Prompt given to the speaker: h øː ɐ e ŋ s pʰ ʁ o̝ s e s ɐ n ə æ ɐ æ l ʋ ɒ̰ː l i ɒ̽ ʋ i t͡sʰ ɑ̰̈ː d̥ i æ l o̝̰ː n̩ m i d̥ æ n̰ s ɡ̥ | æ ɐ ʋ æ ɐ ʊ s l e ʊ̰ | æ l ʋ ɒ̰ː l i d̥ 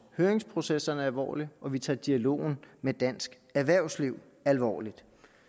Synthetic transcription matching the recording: h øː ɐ e ŋ s pʰ ʁ o̝ s e s ɐ n ə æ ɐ æ l ʋ ɒ̰ː l i ɒ̽ ʋ i t͡sʰ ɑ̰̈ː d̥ i æ l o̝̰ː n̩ m e d̥ æ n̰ s ɡ̥ | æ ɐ ʋ æ ɐ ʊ s l i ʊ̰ | æ l ʋ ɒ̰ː l i d̥